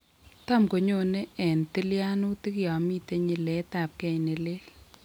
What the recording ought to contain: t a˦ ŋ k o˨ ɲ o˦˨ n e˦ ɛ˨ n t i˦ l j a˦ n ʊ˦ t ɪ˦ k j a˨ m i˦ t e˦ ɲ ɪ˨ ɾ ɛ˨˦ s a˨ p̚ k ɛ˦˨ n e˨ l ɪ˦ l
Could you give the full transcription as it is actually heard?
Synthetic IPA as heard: t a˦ m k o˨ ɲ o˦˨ n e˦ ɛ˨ n t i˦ l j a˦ n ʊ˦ t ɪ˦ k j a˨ m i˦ t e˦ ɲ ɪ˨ l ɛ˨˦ t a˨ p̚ k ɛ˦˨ n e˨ l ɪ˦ l